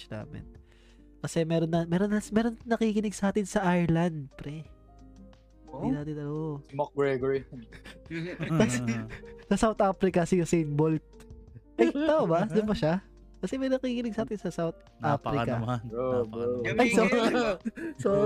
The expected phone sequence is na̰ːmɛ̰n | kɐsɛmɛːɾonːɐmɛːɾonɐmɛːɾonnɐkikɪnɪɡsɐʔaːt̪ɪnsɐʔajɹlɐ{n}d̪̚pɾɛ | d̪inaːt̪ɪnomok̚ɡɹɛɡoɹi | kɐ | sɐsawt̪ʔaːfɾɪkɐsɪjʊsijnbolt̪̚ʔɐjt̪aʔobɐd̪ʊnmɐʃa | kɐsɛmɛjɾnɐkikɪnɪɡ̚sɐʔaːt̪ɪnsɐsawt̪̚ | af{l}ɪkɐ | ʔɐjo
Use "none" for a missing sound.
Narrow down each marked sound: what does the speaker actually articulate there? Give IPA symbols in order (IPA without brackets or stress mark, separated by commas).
n, ɾ